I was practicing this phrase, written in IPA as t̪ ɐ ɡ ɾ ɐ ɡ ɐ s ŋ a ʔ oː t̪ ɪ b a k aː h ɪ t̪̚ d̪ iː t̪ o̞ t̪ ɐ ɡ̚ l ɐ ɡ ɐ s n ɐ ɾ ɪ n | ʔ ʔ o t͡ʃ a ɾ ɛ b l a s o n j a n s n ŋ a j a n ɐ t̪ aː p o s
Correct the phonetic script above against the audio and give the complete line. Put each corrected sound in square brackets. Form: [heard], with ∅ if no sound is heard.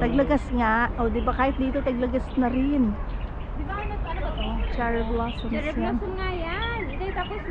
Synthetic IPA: t̪ ɐ ɡ [l] ɐ ɡ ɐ s ŋ a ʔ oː [d̪] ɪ b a k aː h ɪ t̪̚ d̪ iː t̪ o̞ t̪ ɐ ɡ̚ l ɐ ɡ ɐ s n ɐ ɾ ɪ n | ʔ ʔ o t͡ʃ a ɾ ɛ b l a s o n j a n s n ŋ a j a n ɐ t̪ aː p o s

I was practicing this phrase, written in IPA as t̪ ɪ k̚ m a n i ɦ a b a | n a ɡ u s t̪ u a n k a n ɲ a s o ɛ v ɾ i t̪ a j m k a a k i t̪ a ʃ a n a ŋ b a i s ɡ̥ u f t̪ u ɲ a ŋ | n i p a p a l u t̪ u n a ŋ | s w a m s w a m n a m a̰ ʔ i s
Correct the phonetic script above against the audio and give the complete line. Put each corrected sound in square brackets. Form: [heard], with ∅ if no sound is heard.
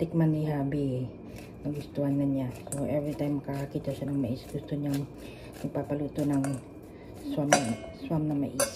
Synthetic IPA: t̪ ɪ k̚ m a n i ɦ a b [i] | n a ɡ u s t̪ u a n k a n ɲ a s o ɛ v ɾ i t̪ a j m k a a k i t̪ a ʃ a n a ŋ [m] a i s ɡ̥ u [s] t̪ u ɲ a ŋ | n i p a p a l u t̪ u n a ŋ | s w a m s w a m n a m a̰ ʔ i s

